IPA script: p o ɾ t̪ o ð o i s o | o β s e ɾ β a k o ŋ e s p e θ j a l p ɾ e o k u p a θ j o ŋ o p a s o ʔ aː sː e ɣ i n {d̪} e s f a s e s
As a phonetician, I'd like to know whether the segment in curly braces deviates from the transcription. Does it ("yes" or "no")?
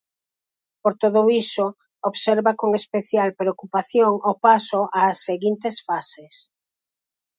yes